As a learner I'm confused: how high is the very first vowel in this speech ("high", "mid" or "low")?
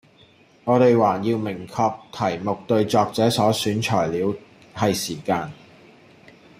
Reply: mid